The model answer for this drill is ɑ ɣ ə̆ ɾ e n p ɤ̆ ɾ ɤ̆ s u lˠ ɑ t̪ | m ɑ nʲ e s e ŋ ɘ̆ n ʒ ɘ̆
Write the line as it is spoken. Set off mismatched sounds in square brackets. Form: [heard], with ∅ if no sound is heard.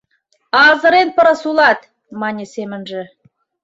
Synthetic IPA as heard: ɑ [z] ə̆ ɾ e n p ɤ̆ ɾ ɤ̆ s u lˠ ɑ t̪ | m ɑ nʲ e s e [m] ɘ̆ n ʒ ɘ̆